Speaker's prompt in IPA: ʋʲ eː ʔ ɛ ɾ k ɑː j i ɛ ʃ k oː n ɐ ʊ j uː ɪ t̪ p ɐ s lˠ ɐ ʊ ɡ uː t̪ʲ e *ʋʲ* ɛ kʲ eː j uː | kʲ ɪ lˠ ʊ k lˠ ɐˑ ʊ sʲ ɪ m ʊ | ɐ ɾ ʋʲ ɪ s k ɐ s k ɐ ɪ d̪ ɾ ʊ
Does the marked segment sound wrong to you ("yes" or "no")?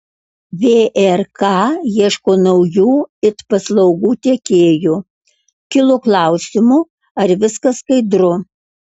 yes